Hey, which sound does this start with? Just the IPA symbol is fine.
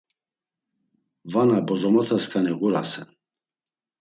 v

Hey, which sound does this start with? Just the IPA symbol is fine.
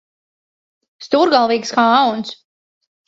s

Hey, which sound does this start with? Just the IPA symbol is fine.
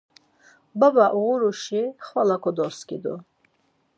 b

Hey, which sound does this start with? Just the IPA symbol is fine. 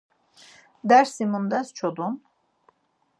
d̪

